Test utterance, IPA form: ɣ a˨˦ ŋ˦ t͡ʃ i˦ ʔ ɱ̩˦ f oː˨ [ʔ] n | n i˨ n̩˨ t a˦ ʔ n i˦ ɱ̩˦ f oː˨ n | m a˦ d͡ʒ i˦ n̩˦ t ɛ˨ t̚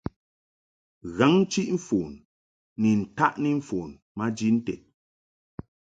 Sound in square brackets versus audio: incorrect: none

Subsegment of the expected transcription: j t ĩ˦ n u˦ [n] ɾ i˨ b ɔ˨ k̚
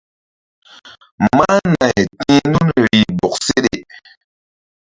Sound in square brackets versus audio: correct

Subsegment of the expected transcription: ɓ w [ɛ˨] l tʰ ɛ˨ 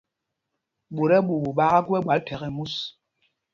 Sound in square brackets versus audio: incorrect: a˨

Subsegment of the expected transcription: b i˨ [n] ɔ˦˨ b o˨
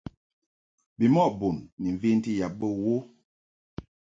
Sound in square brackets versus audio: incorrect: m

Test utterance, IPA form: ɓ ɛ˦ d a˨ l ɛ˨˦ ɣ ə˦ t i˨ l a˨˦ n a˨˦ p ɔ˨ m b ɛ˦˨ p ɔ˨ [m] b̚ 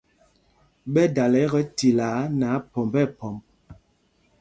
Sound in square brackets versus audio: correct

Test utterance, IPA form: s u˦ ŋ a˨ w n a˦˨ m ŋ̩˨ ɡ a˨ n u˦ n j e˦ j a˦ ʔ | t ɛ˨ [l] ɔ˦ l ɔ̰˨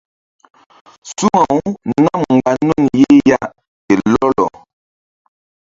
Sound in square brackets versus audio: correct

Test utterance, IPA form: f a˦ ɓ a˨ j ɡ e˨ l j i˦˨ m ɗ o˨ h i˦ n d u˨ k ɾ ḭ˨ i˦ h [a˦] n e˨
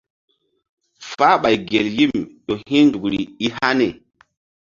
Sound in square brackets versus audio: correct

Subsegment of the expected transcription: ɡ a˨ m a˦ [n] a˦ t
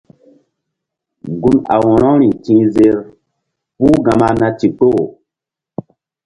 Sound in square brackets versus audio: correct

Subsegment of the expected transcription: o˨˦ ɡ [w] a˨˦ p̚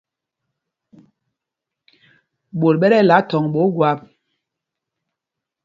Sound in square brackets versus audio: correct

